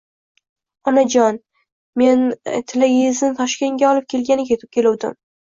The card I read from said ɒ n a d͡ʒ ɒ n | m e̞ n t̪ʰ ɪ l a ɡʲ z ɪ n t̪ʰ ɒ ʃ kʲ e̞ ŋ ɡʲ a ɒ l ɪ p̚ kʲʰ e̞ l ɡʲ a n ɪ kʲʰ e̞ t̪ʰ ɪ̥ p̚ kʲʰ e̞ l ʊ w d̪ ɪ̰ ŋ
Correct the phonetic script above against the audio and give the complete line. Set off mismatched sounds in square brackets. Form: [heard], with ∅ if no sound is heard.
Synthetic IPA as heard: ɒ n a d͡ʒ ɒ n | m e̞ n t̪ʰ ɪ l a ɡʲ z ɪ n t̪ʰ ɒ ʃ kʲ e̞ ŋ ɡʲ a ɒ l ɪ p̚ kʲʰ e̞ l ɡʲ a n ɪ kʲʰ e̞ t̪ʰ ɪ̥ p̚ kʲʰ e̞ l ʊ w d̪ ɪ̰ [m]